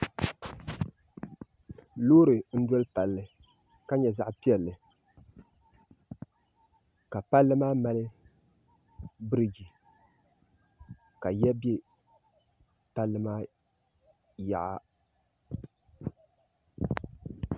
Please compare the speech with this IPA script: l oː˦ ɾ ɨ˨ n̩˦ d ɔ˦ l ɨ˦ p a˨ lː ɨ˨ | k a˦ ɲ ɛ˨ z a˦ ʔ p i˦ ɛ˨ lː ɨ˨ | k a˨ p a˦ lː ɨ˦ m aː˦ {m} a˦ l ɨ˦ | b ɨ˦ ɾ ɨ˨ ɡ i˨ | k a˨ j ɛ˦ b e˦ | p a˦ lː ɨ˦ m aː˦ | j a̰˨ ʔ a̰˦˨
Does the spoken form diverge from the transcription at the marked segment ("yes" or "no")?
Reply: no